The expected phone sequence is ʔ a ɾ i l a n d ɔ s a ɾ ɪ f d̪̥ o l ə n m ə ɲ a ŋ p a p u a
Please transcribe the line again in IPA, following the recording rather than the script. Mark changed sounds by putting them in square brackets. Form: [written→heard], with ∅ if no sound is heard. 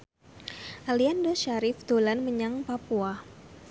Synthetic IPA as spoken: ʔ a [ɾ→l] i [l→∅] a n d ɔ [s→ʃ] a ɾ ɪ f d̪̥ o l [ə→a] n m ə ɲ a ŋ p a p u a